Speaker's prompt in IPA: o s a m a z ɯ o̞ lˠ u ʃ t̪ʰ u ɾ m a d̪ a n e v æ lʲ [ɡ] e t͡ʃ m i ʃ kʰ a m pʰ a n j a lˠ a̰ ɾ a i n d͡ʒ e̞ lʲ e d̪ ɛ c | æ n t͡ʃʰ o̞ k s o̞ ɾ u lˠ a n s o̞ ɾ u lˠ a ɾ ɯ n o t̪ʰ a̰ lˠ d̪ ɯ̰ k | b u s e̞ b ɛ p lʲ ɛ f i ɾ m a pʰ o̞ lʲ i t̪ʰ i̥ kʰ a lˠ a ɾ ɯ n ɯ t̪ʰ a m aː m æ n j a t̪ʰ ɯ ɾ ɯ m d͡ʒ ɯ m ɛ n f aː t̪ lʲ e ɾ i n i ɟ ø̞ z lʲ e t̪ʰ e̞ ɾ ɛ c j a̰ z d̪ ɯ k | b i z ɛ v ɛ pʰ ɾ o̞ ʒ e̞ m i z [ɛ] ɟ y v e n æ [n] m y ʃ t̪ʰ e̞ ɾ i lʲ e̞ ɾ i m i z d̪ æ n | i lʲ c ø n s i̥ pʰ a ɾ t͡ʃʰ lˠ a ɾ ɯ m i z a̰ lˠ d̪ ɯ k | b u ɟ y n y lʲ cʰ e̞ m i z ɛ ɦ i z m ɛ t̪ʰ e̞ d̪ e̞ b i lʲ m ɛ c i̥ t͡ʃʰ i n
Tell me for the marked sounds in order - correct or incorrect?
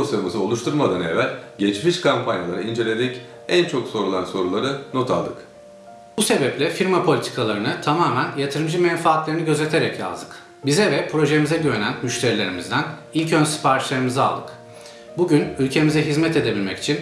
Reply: incorrect, correct, correct

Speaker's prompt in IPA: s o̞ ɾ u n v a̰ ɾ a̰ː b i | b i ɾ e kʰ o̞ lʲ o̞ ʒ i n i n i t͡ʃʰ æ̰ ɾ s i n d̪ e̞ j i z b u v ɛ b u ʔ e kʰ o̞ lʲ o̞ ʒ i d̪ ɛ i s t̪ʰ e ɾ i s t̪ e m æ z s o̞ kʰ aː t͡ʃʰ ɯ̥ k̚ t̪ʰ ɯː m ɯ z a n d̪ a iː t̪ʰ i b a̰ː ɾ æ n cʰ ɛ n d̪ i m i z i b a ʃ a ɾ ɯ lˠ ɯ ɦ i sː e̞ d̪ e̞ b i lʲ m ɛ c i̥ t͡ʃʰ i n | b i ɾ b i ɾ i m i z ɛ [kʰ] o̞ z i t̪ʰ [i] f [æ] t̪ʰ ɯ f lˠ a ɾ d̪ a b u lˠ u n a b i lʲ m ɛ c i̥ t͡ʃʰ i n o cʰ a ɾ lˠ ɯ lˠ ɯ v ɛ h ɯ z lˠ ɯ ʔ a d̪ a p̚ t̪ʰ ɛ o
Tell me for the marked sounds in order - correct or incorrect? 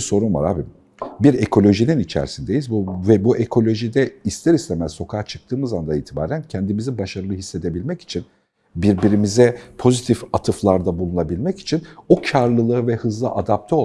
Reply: incorrect, correct, incorrect

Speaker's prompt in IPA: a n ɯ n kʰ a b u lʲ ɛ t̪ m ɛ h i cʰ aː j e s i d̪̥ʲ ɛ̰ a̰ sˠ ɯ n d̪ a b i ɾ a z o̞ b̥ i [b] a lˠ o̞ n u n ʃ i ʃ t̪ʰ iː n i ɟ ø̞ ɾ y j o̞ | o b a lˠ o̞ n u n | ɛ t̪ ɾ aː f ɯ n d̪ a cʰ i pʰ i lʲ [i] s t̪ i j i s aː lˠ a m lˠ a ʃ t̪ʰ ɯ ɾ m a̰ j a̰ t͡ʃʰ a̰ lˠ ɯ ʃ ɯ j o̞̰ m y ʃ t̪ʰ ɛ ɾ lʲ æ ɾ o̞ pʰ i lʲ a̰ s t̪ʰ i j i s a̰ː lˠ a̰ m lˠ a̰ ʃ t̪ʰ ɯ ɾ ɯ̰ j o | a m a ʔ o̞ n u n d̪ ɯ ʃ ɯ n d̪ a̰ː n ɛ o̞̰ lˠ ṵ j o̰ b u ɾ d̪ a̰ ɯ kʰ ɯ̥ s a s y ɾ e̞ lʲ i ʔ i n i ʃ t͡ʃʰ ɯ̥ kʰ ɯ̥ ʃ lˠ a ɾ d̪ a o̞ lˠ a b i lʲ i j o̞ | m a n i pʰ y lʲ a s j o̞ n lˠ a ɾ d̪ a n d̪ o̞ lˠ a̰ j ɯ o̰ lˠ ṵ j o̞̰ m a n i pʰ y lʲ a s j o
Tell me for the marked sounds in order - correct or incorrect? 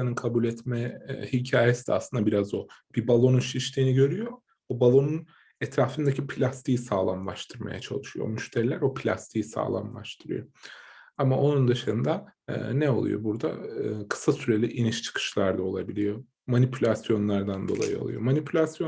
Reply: correct, incorrect

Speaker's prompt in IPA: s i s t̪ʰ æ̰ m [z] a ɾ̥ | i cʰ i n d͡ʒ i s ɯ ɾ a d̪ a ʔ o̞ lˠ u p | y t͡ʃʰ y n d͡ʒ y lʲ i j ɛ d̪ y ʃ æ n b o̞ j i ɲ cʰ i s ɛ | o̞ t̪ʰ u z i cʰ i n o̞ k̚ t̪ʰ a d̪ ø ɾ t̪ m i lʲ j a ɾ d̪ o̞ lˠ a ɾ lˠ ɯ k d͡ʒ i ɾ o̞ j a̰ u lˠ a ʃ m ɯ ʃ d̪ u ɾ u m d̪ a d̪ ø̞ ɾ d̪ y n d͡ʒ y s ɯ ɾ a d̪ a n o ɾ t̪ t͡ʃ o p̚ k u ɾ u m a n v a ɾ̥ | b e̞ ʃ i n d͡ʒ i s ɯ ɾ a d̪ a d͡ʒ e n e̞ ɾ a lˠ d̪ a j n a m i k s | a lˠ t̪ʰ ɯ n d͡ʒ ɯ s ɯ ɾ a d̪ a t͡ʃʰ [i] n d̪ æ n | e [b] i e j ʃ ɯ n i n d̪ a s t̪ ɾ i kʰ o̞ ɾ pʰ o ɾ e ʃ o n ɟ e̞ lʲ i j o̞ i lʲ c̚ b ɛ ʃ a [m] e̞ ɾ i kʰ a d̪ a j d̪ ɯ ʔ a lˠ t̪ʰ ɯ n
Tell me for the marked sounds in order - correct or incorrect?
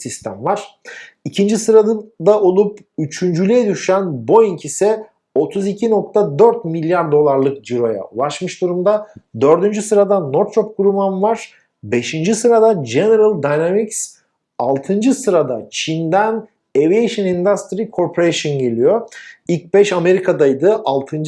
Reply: incorrect, correct, incorrect, correct

